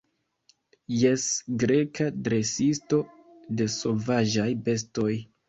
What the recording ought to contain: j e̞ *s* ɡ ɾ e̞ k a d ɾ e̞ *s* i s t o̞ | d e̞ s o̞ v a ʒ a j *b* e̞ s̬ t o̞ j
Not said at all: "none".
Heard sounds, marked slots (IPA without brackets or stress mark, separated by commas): s, s, b